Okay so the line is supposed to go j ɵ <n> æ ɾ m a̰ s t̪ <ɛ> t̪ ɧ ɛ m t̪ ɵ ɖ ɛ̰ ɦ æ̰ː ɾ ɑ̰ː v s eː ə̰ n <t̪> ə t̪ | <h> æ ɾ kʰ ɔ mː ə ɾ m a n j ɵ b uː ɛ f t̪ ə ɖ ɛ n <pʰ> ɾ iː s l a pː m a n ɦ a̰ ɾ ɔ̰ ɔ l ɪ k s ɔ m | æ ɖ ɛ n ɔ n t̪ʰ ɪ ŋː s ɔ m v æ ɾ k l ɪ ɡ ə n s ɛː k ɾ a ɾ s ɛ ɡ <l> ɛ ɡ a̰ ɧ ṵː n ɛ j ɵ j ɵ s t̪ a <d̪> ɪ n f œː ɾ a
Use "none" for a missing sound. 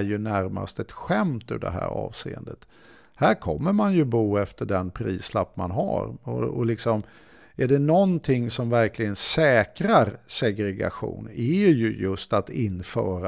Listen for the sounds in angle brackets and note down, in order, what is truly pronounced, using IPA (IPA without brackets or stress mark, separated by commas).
n, ɛ, d̪, h, pʰ, ɾ, t̪